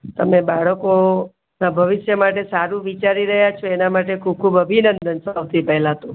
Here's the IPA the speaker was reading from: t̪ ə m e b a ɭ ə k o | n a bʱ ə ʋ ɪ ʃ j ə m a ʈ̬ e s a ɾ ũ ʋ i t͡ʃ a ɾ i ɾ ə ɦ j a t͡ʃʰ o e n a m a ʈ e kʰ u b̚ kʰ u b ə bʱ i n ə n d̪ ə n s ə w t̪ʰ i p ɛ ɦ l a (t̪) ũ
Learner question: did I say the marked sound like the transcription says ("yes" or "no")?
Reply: yes